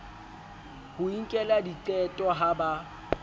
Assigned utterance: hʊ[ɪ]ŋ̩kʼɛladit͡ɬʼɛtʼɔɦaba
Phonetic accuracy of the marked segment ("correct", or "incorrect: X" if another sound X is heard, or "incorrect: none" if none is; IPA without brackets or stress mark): incorrect: i